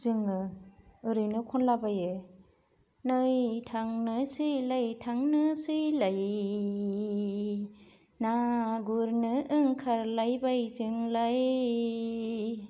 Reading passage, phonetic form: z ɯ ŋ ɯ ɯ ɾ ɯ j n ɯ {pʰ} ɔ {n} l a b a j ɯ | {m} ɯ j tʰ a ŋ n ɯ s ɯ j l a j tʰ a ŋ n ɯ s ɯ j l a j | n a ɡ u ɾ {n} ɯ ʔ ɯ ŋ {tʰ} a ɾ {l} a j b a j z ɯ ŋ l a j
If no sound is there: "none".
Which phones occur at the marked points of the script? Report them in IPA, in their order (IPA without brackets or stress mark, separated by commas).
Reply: kʰ, n, n, n, kʰ, l